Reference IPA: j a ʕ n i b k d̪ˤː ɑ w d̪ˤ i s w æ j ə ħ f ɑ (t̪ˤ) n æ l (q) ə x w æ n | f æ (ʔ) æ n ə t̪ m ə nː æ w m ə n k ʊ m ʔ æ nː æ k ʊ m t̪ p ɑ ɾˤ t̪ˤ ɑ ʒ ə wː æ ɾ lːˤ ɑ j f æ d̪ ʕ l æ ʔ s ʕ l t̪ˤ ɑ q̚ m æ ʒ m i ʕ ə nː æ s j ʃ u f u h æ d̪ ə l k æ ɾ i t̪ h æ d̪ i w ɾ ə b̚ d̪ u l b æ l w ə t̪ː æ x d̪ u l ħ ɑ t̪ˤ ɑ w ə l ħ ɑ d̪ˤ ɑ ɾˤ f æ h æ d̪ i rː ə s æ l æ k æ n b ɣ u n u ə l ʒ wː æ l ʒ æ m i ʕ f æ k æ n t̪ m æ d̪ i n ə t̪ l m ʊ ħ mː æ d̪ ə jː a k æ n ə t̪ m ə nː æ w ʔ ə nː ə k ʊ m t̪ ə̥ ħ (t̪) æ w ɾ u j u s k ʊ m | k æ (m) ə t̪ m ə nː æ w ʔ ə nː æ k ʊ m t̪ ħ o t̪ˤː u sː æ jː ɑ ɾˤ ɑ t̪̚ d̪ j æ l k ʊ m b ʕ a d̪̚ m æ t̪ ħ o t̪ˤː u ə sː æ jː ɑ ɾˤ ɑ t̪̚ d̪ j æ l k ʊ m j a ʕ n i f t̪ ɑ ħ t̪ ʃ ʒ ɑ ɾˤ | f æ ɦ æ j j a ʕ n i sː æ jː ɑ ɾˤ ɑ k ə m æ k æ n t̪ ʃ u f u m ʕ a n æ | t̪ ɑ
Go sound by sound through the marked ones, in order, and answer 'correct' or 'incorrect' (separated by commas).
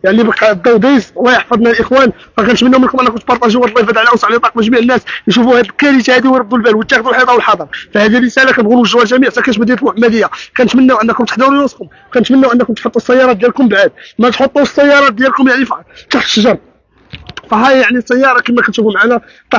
incorrect, incorrect, incorrect, incorrect, incorrect